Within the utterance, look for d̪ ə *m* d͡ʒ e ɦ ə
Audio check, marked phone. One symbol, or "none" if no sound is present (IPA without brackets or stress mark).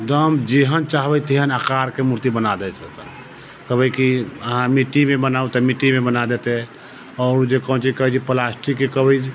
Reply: m